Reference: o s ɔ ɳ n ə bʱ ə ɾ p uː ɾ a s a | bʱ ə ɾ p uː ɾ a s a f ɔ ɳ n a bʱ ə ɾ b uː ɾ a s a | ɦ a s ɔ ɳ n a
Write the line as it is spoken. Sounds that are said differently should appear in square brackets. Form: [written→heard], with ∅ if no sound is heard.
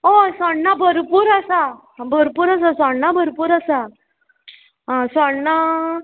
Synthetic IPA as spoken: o s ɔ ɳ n [ə→a] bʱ ə ɾ p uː ɾ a s a | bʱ ə ɾ p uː ɾ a s a [f→s] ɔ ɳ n a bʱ ə ɾ [b→p] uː ɾ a s a | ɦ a s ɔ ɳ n a